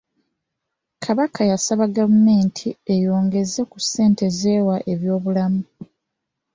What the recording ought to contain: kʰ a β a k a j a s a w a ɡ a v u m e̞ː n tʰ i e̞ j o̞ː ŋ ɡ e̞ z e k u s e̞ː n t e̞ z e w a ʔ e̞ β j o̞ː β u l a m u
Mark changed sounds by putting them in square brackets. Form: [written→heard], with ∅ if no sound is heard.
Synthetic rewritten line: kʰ a β a k a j a s a [w→β] a ɡ a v u m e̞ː n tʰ i e̞ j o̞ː ŋ ɡ e̞ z e k u s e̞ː n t e̞ z e w a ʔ e̞ β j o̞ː β u l a m u